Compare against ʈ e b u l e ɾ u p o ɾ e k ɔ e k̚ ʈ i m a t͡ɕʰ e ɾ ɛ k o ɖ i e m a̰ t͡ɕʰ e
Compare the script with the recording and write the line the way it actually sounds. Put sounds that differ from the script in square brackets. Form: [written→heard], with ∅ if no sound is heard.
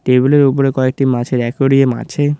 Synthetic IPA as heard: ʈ e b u l e ɾ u p o ɾ e k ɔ e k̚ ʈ i m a t͡ɕʰ e ɾ ɛ k o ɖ i e m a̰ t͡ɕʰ e